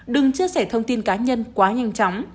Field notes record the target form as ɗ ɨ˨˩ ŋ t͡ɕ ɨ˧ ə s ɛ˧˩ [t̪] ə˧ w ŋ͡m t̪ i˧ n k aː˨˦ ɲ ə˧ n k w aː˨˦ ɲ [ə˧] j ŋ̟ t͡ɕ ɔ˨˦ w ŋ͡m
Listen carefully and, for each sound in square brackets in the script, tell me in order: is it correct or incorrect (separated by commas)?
incorrect, incorrect